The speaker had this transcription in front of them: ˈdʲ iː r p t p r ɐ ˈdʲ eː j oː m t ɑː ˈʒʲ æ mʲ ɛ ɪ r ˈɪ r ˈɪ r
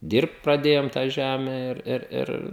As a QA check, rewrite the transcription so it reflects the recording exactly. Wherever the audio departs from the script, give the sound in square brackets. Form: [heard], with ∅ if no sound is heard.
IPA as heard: ˈdʲ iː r p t p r ɐ ˈdʲ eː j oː m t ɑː ˈʒʲ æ mʲ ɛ ɪ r ˈɪ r ˈɪ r